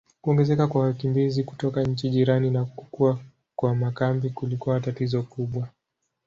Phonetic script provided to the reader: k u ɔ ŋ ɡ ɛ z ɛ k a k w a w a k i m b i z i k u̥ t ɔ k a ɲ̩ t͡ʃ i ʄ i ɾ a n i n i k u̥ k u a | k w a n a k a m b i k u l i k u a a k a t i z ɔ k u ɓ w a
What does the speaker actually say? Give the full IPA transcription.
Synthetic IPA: k u ɔ ŋ ɡ ɛ z ɛ k a k w a w a k i m b i z i k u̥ t ɔ k a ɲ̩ t͡ʃ i ʄ i ɾ a n i n a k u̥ k u a | k w a m a k a m b i k u l i k u a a t a t i z ɔ k u ɓ w a